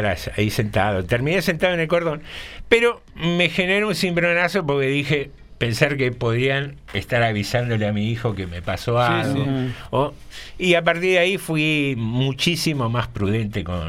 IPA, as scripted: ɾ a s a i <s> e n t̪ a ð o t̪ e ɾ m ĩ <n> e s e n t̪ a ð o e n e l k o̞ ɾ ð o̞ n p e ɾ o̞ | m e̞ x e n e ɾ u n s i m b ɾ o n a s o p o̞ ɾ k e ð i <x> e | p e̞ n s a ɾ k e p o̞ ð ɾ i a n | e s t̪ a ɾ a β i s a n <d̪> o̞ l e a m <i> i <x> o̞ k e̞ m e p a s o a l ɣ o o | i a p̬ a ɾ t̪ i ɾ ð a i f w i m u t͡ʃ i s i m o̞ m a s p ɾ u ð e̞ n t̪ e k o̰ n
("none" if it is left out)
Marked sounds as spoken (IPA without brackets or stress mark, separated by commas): s, n, x, d̪, i, x